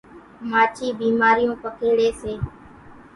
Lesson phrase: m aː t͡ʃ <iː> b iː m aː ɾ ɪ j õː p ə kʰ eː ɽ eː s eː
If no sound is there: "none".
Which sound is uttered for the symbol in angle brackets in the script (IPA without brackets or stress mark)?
iː